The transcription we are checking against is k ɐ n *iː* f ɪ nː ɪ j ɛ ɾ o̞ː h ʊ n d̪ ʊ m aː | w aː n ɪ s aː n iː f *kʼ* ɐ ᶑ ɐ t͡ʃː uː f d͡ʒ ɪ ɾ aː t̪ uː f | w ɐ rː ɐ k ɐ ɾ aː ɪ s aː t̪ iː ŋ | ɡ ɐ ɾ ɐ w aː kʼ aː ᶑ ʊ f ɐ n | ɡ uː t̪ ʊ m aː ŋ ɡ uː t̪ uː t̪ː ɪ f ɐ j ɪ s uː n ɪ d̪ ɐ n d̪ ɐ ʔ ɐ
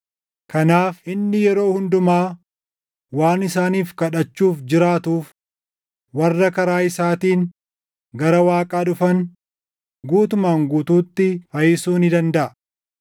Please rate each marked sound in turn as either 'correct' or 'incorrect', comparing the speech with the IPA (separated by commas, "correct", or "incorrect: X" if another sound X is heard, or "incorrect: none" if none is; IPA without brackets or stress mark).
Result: incorrect: aː, incorrect: k